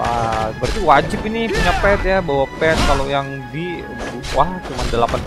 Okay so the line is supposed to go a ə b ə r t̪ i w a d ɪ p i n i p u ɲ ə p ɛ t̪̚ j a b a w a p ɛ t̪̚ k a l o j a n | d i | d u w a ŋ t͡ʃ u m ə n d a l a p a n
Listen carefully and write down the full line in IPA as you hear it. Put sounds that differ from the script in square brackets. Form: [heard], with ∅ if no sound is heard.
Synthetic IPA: a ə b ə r t̪ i w a [d͡ʒ] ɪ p i n i p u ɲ [a] p ɛ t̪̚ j a b a w a p ɛ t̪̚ k a l o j a [ŋ] | d i | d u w a ŋ t͡ʃ u m [a] n d [ə] l a p a n